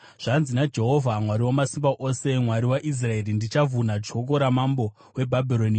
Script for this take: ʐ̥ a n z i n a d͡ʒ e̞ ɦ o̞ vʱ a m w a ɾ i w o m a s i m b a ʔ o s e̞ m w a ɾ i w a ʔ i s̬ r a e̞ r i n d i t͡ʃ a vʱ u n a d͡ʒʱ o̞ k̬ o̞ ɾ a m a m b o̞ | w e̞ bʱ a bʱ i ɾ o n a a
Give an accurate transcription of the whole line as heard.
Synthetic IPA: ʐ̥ a n z i n a d͡ʒ e̞ ɦ o̞ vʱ a m w a ɾ i w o m a s i m b a ʔ o s e̞ m w a ɾ i w a ʔ i s̬ r a e̞ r i n d i t͡ʃ a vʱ u n a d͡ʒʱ o̞ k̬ o̞ ɾ a m a m b o̞ | w e̞ bʱ a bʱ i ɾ o n i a